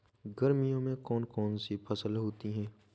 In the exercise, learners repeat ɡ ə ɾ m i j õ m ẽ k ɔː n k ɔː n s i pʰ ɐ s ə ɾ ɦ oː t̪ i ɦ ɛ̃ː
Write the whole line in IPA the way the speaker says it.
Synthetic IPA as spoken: ɡ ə ɾ m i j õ m ẽ k ɔː n k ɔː n s i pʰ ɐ s ə l ɦ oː t̪ i ɦ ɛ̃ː